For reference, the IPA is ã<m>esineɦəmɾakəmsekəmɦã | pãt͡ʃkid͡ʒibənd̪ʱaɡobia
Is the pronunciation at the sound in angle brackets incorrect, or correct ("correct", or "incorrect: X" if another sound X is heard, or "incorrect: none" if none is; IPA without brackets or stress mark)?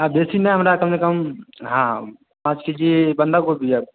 incorrect: b